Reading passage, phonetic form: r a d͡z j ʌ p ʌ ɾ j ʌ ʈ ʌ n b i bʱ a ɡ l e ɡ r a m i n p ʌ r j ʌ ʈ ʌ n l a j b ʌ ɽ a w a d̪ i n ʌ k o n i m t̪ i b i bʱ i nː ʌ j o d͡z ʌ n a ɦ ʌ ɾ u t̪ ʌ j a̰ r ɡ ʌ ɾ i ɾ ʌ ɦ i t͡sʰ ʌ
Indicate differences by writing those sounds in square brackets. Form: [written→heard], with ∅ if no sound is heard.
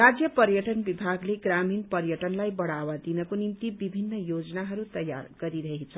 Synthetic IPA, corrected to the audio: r a d͡z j ʌ p ʌ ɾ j ʌ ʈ ʌ n b i bʱ a ɡ l e ɡ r a m i n p ʌ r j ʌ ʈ ʌ n l a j b ʌ ɽ a w a d̪ i n ʌ k o n i m t̪ i b i bʱ i nː ʌ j o d͡z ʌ n a ɦ ʌ ɾ u t̪ ʌ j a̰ r ɡ ʌ ɾ i ɾ ʌ ɦ i t͡sʰ ʌ